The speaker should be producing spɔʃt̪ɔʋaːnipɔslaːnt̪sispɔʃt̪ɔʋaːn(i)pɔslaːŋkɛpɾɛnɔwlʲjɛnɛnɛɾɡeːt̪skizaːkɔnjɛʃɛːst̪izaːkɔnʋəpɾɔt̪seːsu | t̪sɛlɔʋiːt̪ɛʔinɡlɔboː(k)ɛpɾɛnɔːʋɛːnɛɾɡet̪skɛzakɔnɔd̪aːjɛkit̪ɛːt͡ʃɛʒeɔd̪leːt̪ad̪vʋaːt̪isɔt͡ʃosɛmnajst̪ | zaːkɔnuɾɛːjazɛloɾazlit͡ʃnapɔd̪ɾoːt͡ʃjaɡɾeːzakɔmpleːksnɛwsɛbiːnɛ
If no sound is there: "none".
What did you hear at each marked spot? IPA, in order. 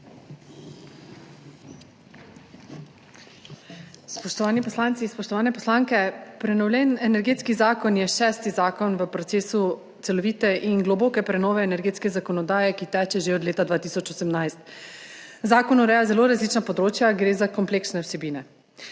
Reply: ɛ, k

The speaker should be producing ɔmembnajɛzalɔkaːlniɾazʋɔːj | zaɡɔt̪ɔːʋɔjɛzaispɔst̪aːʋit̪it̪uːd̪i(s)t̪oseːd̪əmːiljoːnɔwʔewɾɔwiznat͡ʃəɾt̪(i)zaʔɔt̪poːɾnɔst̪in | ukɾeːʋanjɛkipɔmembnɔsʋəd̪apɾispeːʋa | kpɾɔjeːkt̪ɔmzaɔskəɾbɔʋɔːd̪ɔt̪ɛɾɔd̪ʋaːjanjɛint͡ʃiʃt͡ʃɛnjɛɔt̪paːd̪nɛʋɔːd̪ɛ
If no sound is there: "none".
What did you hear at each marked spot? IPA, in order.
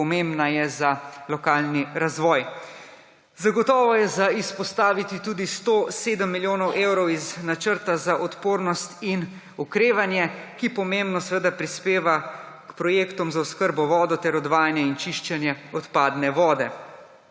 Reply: s, a

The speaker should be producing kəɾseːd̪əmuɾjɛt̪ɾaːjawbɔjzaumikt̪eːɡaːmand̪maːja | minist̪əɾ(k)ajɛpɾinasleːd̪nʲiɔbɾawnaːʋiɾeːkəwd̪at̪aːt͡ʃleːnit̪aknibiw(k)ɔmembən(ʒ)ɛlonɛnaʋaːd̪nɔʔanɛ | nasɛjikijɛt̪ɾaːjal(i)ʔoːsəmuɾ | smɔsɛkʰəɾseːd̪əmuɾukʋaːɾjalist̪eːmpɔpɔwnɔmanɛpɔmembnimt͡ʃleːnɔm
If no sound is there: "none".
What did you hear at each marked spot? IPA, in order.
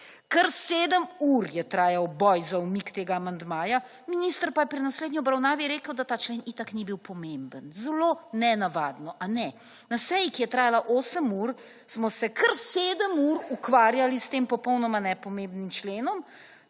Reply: p, p, z, a

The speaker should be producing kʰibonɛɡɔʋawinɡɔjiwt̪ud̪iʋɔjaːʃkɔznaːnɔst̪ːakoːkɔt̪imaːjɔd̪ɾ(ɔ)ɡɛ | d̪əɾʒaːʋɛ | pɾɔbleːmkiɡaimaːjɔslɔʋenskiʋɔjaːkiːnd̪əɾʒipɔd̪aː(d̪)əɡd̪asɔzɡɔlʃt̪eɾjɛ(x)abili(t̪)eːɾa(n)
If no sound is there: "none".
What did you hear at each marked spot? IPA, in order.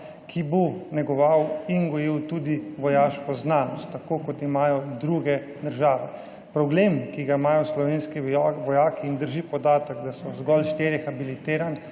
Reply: u, t̪, x, t̪, n

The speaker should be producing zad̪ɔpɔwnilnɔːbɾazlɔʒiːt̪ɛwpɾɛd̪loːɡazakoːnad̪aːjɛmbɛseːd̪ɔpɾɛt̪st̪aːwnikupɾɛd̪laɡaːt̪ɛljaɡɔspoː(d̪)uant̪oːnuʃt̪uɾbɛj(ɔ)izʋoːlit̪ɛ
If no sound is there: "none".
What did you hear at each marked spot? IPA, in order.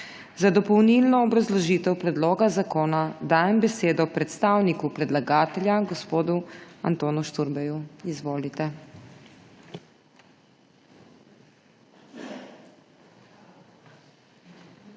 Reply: d̪, u

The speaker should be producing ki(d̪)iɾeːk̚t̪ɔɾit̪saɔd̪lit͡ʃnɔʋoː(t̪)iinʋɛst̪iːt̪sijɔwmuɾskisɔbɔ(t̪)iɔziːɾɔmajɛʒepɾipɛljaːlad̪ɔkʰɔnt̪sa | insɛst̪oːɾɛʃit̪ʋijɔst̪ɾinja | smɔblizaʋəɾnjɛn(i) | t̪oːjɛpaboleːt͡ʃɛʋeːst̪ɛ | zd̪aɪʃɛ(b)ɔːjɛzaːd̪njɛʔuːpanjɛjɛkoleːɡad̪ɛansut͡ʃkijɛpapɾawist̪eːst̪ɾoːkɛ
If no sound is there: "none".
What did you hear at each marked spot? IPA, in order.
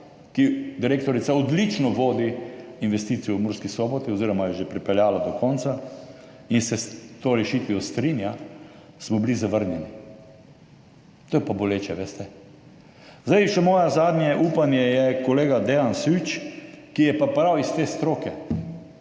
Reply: d̪, d̪, t̪, i, m

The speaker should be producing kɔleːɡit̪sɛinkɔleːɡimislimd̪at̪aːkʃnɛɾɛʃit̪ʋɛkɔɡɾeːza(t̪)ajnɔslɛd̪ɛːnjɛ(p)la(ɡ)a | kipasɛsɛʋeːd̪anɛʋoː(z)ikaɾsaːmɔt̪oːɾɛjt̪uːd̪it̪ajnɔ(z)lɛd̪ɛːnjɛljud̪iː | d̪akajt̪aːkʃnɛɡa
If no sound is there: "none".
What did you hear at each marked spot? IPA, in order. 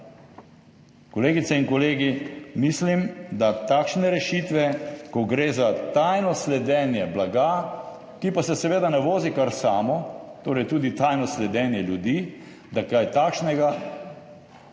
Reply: t̪, b, ɡ, z, s

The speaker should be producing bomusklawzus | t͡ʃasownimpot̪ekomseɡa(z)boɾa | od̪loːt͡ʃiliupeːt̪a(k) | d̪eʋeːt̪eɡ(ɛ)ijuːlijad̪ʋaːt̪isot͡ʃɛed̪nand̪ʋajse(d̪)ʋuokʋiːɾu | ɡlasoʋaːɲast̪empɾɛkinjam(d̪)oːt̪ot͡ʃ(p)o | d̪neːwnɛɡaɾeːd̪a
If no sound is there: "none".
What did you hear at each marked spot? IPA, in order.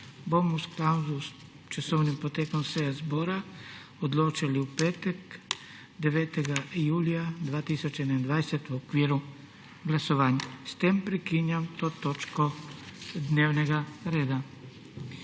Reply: z, k, a, t̪, t̪, k

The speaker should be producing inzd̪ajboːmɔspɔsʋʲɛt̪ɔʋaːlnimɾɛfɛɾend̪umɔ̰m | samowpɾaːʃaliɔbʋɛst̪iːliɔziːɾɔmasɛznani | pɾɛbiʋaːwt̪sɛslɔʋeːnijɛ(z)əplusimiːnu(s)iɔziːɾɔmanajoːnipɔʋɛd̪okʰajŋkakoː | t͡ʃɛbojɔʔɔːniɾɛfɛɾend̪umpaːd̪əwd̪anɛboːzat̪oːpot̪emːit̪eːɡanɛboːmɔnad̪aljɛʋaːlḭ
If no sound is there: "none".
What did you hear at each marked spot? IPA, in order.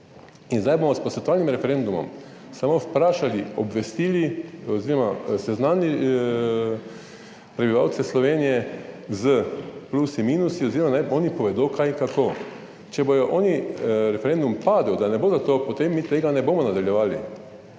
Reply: z, s

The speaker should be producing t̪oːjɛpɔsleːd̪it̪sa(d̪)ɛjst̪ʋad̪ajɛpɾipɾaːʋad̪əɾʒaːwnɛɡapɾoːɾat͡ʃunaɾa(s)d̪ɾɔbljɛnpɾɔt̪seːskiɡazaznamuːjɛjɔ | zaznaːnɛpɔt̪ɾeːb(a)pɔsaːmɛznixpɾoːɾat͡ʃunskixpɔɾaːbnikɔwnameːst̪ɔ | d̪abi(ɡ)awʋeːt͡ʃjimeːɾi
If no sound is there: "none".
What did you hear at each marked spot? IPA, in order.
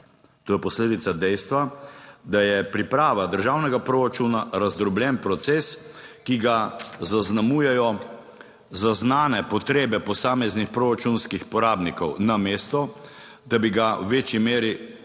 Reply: d̪, z, ɛ, ɡ

